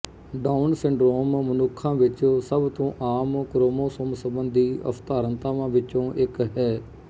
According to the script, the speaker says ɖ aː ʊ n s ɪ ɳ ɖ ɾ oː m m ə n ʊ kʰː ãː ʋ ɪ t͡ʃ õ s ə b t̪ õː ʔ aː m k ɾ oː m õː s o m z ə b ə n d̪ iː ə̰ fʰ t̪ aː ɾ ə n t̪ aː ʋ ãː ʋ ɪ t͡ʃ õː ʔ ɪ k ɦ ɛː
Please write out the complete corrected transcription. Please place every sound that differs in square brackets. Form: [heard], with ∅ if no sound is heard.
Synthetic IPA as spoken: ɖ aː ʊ n s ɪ ɳ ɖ ɾ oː m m ə n ʊ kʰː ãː ʋ ɪ t͡ʃ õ s ə b t̪ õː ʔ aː m k ɾ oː m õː s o m [s] ə b ə n d̪ iː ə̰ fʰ t̪ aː ɾ ə n t̪ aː ʋ ãː ʋ ɪ t͡ʃ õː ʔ ɪ k ɦ ɛː